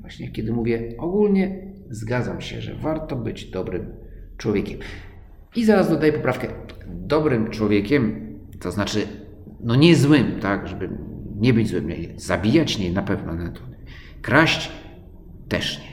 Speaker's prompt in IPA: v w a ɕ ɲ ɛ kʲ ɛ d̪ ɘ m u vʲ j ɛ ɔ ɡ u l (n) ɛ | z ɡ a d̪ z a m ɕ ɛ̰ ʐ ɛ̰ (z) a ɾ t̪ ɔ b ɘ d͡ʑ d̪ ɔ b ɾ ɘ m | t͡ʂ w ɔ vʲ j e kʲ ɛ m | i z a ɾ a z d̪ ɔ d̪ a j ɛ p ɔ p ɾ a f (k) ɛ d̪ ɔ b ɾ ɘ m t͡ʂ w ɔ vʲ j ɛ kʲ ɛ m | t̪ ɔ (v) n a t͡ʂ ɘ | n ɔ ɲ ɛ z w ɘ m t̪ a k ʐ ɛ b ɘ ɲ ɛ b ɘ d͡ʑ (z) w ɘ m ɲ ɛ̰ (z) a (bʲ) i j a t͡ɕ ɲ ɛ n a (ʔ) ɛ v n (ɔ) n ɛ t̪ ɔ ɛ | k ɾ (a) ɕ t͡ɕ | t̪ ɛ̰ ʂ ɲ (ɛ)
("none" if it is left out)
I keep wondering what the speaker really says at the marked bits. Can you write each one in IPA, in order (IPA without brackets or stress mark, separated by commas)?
ɲ, v, k, z, z, z, bʲ, p, ɔ, a, ɛ